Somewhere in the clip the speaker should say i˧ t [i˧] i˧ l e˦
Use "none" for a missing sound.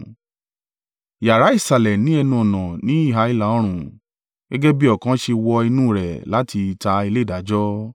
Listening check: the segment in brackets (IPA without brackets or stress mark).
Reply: a˧